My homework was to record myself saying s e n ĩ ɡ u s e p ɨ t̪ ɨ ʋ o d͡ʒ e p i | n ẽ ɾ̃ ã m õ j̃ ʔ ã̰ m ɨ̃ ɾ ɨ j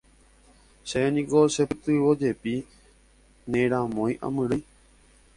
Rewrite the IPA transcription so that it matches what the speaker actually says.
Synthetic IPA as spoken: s e n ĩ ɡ o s e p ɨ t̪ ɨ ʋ o d͡ʒ e p i | n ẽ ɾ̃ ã m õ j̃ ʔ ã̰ m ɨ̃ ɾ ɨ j